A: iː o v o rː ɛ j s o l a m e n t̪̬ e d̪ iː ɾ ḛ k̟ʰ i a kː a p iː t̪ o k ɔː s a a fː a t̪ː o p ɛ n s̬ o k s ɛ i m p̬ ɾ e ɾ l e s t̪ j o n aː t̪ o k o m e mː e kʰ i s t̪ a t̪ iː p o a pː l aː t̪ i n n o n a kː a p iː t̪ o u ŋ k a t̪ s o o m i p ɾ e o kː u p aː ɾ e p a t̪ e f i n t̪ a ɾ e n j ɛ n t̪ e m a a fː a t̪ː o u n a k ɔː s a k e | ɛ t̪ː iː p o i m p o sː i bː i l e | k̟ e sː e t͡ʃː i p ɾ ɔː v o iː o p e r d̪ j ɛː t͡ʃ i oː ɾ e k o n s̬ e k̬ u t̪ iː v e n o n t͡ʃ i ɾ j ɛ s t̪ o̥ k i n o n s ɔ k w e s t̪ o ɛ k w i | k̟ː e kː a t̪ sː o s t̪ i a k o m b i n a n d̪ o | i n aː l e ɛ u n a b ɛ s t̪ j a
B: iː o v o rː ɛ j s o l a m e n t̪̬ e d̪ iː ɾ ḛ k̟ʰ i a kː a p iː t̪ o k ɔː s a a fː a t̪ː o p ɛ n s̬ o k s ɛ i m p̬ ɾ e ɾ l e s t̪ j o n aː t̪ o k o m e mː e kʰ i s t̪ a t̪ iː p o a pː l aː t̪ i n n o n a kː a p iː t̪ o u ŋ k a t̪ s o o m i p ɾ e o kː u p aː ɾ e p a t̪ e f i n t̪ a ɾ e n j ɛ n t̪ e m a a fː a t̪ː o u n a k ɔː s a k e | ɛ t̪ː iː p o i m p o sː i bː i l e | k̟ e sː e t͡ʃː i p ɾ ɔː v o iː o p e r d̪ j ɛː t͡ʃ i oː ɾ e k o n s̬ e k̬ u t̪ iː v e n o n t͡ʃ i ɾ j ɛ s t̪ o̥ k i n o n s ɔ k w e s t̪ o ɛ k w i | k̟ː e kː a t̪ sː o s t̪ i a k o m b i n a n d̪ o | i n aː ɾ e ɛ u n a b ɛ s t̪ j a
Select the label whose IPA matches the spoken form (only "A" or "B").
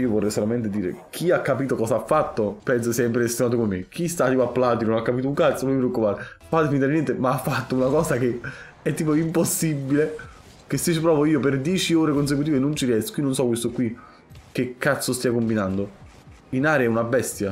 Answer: B